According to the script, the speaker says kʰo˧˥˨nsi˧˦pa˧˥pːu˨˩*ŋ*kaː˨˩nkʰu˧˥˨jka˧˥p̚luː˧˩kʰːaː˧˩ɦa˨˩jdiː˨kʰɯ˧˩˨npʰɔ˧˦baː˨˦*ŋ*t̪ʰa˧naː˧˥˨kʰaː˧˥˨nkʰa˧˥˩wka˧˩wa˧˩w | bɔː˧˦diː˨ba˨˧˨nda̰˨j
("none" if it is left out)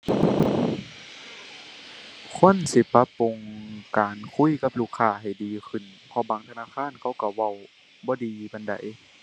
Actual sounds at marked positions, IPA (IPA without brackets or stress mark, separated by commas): ŋ, ŋ